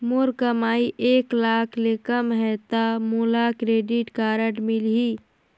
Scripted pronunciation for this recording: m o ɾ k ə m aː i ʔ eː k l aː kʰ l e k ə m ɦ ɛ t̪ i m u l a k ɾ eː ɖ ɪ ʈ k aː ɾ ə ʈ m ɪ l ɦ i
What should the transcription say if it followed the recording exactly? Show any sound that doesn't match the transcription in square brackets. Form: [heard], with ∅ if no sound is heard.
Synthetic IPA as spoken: m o ɾ k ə m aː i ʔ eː k l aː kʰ l e k ə m ɦ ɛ t̪ [a] m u l a k ɾ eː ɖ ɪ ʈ k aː ɾ ə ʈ m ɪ l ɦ i